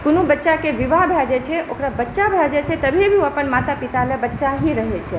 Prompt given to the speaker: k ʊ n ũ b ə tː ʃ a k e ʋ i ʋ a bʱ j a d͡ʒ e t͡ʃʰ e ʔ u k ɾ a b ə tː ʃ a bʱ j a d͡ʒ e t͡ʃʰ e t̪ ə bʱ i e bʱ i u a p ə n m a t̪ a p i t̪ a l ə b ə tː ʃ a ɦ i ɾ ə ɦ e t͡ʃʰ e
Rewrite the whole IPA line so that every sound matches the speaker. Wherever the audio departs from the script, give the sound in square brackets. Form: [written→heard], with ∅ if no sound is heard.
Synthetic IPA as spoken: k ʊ n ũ b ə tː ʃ a k e ʋ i ʋ a bʱ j a d͡ʒ e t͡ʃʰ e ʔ [u→o] k ɾ a b ə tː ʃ a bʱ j a d͡ʒ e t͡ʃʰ e t̪ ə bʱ i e bʱ i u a p ə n m a t̪ a p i t̪ a l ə b ə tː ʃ a ɦ i ɾ ə ɦ e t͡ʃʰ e